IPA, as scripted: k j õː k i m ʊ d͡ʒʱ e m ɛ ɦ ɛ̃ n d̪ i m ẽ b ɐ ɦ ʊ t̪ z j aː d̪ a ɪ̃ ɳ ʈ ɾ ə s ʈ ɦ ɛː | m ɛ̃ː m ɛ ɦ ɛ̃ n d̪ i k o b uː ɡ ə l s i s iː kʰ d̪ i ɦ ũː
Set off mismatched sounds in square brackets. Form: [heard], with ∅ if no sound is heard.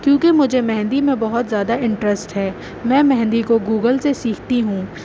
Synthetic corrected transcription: k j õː k [e] m ʊ d͡ʒʱ e m ɛ ɦ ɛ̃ n d̪ i m ẽ b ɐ ɦ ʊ t̪ z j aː d̪ a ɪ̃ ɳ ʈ ɾ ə s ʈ ɦ ɛː | m ɛ̃ː m ɛ ɦ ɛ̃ n d̪ i k o [ɡ] uː ɡ ə l s [e] s iː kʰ [t̪] i ɦ ũː